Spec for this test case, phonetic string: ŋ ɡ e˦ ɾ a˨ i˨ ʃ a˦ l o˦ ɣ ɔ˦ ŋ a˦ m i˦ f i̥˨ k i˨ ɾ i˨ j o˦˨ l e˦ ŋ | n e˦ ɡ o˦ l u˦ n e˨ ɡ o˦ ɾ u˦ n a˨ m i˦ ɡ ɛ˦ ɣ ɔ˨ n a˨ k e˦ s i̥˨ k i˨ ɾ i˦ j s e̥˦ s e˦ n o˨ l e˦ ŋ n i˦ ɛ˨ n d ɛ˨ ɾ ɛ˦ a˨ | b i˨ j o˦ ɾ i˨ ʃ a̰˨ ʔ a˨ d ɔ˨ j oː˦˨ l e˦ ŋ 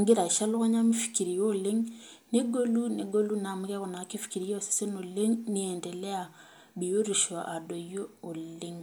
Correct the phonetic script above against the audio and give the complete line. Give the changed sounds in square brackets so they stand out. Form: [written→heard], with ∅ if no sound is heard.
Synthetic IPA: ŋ ɡ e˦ ɾ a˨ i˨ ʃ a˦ l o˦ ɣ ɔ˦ [ŋ→ɲ] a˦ m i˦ f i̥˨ k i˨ ɾ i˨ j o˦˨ l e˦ ŋ | n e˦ ɡ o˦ l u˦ n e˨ ɡ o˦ [ɾ→l] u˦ n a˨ m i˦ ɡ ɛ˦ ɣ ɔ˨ n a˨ k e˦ [s→f] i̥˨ k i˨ ɾ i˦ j s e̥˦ s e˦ n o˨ l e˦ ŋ n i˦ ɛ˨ n d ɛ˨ [ɾ→l] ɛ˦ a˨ | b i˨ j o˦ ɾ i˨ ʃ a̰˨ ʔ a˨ d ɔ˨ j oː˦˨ l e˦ ŋ